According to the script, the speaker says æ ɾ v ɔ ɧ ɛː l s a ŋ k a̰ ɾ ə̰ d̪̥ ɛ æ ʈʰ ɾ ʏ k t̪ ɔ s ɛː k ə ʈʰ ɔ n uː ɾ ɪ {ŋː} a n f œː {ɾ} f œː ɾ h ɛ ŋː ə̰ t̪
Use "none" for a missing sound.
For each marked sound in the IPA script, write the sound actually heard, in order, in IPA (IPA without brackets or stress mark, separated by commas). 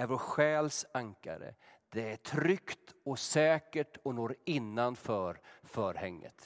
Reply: nː, ɾ